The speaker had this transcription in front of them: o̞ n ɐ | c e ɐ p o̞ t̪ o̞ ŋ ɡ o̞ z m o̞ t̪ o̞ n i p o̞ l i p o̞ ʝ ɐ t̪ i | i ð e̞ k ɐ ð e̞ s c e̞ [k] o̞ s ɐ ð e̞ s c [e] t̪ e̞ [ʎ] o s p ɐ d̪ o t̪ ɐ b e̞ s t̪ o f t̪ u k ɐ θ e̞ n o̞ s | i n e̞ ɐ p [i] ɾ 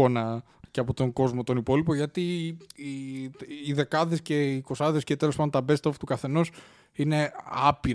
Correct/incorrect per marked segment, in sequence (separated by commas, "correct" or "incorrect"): correct, correct, incorrect, correct